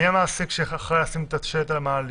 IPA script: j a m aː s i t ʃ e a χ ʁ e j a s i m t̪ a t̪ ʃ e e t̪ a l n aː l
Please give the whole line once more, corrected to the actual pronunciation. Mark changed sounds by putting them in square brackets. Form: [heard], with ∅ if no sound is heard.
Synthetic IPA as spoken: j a m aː s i [k] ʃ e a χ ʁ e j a s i m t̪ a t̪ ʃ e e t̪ a l [m] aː l

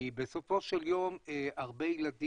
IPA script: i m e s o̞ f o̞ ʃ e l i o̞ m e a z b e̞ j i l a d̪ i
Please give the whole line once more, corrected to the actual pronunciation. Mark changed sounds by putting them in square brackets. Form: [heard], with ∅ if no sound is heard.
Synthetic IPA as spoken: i [b] e s o̞ f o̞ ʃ e l [j] o̞ m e a [ʁ] b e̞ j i l a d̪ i

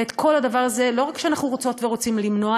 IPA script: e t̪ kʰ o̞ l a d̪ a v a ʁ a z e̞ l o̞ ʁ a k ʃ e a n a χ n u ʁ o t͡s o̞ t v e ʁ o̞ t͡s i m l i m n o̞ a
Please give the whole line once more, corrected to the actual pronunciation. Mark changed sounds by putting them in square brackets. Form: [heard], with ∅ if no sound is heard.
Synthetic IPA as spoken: e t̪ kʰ o̞ l a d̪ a v a ʁ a z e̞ l o̞ ʁ a k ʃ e a n a χ n u ʁ o t͡s o̞ t v e ʁ o̞ t͡s i m l i m n o̞ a

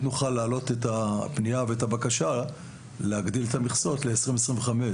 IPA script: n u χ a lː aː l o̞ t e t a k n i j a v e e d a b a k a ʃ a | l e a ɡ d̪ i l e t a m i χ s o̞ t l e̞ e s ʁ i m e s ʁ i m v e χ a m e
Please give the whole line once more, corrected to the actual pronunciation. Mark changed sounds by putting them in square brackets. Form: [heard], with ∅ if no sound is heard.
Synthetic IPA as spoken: n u χ a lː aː l o̞ t e t a [p] n i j a v e e [t] a b a k a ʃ a | l e a ɡ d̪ i l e t a m i χ s o̞ t l e̞ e s ʁ i m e s ʁ i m v e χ a m e

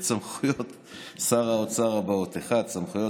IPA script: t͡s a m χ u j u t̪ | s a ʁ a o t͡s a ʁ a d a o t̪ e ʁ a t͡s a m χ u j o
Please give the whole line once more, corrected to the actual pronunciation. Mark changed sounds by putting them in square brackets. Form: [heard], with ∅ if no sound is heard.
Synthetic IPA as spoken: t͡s a m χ u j [o] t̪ | s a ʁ a o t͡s a ʁ a [b] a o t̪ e [χ] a t͡s a m χ u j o

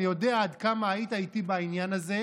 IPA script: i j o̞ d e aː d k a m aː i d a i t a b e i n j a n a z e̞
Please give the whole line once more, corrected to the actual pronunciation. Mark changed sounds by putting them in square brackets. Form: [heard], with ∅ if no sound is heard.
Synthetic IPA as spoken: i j o̞ d e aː d k a m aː i [t] a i t [i] b [a] i n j a n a z e̞

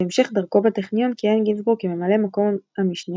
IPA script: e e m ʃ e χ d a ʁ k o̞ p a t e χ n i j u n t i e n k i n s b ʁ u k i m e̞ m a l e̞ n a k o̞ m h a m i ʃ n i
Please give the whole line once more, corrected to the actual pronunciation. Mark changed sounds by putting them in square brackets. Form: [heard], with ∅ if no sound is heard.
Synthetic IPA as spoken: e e m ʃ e χ d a ʁ k o̞ [b] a t e χ n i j [o] n [k] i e n [ɡ] i n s b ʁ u k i m e̞ m a l e̞ [m] a k o̞ m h a m i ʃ n i

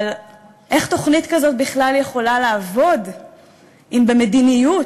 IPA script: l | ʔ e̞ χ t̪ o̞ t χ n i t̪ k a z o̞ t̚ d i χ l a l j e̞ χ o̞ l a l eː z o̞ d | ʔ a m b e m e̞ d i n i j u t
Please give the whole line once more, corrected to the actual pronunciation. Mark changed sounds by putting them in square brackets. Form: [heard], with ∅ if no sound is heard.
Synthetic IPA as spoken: l | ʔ e̞ χ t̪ o̞ [∅] χ n i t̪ k a z o̞ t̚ [b] i χ l a l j e̞ χ o̞ l a l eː [v] o̞ d | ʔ [i] m b e m e̞ d i n i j u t

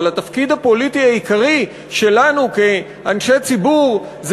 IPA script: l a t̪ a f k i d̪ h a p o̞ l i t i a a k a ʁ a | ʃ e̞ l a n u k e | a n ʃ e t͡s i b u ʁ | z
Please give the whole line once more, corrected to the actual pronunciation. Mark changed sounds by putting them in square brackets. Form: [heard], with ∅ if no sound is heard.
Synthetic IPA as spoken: l a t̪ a f k i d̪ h a p o̞ l i t i a [i] k a ʁ [i] | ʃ e̞ l a n u k e | a n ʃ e t͡s i b u ʁ | z

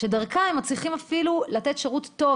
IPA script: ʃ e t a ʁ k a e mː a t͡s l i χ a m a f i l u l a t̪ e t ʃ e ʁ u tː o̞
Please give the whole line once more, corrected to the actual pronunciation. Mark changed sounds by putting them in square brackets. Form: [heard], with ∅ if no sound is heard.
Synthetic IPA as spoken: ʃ e [d] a ʁ k a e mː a t͡s l i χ [i] m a f i l u l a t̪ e t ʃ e ʁ u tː o̞

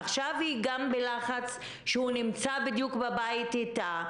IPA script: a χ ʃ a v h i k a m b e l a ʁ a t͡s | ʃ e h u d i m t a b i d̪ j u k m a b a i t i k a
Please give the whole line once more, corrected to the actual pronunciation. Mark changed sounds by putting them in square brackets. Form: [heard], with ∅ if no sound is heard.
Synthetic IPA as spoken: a χ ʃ a v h i [ɡ] a m b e l a [χ] a t͡s | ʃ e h u [n] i m [t͡s] a b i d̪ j u k [b] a b a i t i [t] a

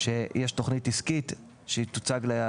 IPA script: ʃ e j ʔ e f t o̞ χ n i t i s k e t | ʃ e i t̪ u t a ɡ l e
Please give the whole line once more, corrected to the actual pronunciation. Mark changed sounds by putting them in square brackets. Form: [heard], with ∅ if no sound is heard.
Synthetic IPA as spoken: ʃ e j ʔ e [ʃ] t o̞ χ n i t i s k [i] t | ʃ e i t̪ u [t͡s] a ɡ l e

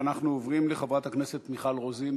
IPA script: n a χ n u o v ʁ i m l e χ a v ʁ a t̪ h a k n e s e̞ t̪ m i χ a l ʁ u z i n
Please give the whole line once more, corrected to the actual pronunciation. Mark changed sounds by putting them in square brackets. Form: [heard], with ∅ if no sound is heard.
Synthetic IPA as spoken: n a χ n u o v ʁ i m l e χ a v ʁ a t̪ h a k n e s e̞ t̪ m i χ a l ʁ [o] z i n

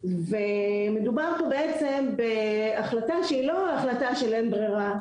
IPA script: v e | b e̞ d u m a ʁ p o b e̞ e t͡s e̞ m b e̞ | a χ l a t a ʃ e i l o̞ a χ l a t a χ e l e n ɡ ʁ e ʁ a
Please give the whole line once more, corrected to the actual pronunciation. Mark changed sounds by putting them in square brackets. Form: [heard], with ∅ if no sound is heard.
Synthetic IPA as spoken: v e | [m] e̞ d u [b] a ʁ p o b e̞ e t͡s e̞ m b e̞ | a χ l a t a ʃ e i l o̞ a χ l a t a [ʃ] e l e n [b] ʁ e ʁ a

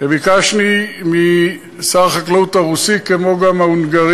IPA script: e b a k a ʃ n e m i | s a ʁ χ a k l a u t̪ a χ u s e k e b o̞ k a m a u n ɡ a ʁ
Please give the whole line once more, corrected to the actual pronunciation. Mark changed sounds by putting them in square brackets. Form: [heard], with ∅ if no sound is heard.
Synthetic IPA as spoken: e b [i] k a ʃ n [i] m i | s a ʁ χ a k l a u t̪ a [ʁ] u s [i] k e [m] o̞ [ɡ] a m a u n ɡ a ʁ

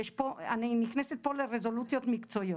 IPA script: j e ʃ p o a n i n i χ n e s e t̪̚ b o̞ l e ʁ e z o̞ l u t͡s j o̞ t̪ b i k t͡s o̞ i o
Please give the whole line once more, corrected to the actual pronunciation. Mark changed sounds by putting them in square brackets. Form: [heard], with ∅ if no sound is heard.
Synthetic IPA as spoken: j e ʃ p o a n i n i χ n e s e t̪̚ [p] o̞ l e ʁ e z o̞ l u t͡s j o̞ t̪ [m] i k t͡s o̞ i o

